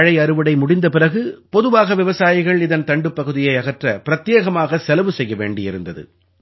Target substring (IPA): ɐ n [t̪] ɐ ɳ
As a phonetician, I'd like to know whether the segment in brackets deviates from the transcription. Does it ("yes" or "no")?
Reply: no